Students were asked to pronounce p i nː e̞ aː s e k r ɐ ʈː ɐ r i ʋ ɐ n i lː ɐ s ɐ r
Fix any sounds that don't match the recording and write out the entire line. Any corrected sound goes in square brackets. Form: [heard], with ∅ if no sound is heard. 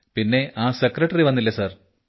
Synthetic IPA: p i nː e̞ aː s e k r ɐ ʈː ɐ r i ʋ ɐ [nː] i lː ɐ s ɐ r